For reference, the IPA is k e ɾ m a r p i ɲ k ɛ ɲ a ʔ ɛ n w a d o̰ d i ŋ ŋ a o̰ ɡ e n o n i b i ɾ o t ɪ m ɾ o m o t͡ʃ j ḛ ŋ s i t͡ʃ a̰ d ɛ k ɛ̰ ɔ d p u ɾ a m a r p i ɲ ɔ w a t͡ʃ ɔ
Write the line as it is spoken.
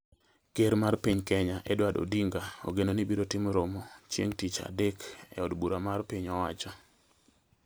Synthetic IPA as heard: k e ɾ m a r p i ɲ k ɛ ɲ a ʔ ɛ d w a d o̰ d i ŋ ɡ a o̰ ɡ e n o n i b i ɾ o t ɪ m ɾ o m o t͡ʃ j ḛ ŋ t i t͡ʃ a̰ d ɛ k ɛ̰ ɔ d b u ɾ a m a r p i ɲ ɔ w a t͡ʃ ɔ